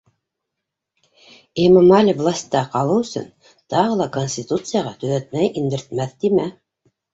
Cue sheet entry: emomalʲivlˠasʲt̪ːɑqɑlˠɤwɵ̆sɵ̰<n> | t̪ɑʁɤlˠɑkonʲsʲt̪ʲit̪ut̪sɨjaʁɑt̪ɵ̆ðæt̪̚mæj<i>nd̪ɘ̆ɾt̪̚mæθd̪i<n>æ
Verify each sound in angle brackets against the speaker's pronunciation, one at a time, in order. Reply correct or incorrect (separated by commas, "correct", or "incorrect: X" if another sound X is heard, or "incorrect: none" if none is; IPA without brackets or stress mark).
correct, correct, incorrect: m